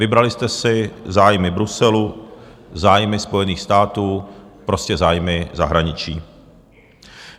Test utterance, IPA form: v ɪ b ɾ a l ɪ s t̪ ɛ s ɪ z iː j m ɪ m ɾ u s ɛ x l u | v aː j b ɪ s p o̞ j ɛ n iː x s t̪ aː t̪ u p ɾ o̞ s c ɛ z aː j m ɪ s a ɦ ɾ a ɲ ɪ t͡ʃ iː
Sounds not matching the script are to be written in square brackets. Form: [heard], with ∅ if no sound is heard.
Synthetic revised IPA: v ɪ b ɾ a l ɪ s t̪ ɛ s ɪ z [aː] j m ɪ [b] ɾ u s ɛ [∅] l u | [z] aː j [m] ɪ s p o̞ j ɛ n iː x s t̪ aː t̪ [uː] p ɾ o̞ s c ɛ z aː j m ɪ [z] a ɦ ɾ a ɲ ɪ t͡ʃ iː

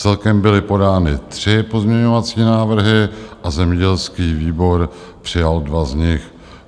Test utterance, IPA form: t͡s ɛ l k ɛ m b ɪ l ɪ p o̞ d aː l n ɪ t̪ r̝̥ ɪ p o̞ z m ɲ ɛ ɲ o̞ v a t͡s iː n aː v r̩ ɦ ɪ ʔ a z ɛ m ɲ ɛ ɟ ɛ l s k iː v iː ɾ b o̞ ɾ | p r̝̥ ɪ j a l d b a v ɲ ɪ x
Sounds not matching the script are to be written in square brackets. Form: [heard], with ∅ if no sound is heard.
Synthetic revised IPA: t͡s ɛ l k ɛ m b ɪ l ɪ p o̞ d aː [∅] n ɪ t̪ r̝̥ ɪ p o̞ z m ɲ ɛ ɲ o̞ v a t͡s iː n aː v r̩ ɦ ɪ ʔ a z ɛ m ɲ ɛ ɟ ɛ l s k iː v iː [∅] b o̞ ɾ | p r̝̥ ɪ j a l d [v] a [z] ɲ ɪ x

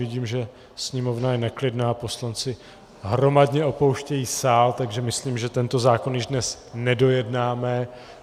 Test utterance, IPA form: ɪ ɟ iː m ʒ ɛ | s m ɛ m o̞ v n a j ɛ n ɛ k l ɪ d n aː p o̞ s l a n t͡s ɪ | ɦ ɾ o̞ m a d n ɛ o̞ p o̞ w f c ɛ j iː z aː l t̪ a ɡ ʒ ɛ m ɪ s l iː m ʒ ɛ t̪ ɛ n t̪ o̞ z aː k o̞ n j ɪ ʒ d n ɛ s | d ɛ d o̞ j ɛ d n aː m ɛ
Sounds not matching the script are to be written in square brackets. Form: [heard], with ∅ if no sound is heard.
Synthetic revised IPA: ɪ ɟ iː m ʒ ɛ | s [ɲ] ɛ m o̞ v n a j ɛ n ɛ k l ɪ d n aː p o̞ s l a n t͡s ɪ | ɦ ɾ o̞ m a d [ɲ] ɛ o̞ p o̞ w [ʃ] c ɛ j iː [s] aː l t̪ a ɡ ʒ ɛ m ɪ s l iː m ʒ ɛ t̪ ɛ n t̪ o̞ z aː k o̞ n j ɪ ʒ d n ɛ s | [n] ɛ d o̞ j ɛ d n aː m ɛ

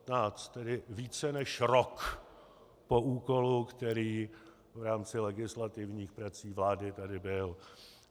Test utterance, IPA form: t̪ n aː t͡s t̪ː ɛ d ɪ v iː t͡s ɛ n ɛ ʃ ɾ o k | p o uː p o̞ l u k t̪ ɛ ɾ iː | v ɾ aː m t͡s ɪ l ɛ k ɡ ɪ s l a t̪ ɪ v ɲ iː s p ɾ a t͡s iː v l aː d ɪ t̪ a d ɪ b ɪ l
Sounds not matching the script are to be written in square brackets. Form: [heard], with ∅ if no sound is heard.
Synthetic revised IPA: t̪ n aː t͡s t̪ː ɛ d ɪ v iː t͡s ɛ n ɛ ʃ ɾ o k | p o uː [k] o̞ l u k t̪ ɛ ɾ iː | v ɾ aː m t͡s ɪ l ɛ [∅] ɡ ɪ s l a t̪ ɪ v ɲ iː [x] p ɾ a t͡s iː v l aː d ɪ t̪ a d ɪ b ɪ l

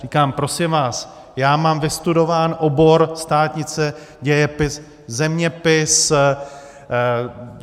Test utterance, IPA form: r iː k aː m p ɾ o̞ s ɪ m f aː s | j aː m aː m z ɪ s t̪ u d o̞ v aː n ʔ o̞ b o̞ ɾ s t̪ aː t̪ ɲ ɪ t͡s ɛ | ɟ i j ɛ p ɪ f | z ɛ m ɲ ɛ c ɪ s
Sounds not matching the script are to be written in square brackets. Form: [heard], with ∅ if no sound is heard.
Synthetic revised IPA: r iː k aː m p ɾ o̞ s ɪ m [v] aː s | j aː m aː m [v] ɪ s t̪ u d o̞ v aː n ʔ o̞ b o̞ ɾ s t̪ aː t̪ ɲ ɪ t͡s ɛ | ɟ [ɛ] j ɛ p ɪ [s] | z ɛ m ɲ ɛ [p] ɪ s

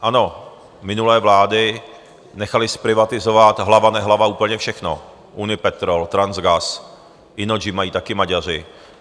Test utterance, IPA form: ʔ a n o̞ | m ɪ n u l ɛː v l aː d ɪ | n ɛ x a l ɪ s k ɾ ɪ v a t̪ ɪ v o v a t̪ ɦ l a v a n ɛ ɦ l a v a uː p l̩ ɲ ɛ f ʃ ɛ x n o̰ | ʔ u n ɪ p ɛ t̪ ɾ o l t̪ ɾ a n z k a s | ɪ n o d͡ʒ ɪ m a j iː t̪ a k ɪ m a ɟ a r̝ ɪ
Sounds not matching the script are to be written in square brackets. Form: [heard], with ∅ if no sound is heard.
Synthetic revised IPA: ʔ a n o̞ | m ɪ n u l ɛː v l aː d ɪ | n ɛ x a l ɪ s [p] ɾ ɪ v a t̪ ɪ [z] o v a t̪ ɦ l a v a n ɛ ɦ l a v a uː p l̩ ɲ ɛ f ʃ ɛ x n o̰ | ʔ u n ɪ p ɛ t̪ ɾ o l t̪ ɾ a n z [ɡ] a s | ɪ n o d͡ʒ ɪ m a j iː t̪ a k ɪ m a ɟ a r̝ ɪ

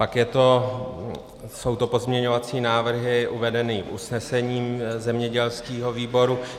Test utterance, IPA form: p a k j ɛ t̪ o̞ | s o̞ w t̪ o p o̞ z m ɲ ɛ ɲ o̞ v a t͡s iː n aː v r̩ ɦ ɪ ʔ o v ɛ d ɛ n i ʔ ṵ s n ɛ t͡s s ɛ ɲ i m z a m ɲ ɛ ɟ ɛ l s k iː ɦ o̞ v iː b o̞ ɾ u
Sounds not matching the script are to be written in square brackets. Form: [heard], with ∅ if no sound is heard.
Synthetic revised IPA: p a k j ɛ t̪ o̞ | s o̞ w t̪ o p o̞ z m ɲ ɛ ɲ o̞ v a t͡s iː n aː v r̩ ɦ ɪ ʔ [u] v ɛ d ɛ n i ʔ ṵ s n ɛ [∅] s ɛ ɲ [iː] m z [ɛ] m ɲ ɛ ɟ ɛ l s k iː ɦ o̞ v iː b o̞ ɾ u

